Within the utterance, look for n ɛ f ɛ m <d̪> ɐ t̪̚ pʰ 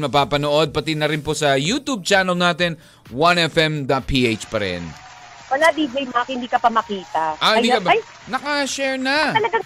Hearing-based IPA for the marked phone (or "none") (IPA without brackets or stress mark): d̪